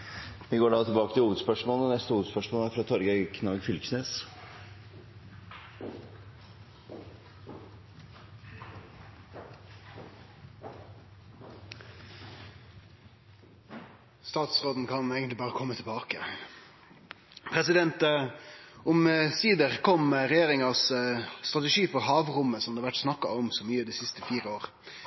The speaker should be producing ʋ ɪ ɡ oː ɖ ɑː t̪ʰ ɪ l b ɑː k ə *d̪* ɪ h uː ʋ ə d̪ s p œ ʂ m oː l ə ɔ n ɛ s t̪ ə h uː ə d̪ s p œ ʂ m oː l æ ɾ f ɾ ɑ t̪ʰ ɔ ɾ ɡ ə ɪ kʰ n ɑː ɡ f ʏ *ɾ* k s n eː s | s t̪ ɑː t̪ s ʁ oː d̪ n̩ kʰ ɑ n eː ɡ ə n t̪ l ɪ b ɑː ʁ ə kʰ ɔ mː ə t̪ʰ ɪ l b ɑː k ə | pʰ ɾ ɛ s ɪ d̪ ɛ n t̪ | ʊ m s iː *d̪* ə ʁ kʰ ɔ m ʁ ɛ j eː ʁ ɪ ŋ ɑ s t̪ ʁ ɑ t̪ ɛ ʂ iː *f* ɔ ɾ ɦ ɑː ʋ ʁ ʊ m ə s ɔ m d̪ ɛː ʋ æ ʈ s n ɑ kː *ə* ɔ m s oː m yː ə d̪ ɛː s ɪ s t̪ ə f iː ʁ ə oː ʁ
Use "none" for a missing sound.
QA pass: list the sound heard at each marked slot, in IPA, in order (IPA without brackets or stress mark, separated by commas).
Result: t̪, l, d̪, f, ɑ